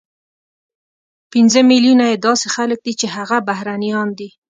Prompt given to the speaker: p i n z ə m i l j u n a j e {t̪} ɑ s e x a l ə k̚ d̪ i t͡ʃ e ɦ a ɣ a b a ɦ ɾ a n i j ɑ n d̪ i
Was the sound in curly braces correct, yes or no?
no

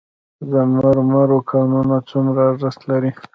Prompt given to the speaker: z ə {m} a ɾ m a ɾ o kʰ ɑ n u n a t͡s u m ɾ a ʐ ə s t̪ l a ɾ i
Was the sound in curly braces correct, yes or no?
yes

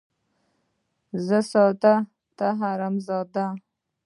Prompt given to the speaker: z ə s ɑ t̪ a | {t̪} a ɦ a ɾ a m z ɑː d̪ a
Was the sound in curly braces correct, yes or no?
yes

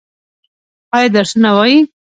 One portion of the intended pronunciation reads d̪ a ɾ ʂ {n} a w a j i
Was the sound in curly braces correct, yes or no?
yes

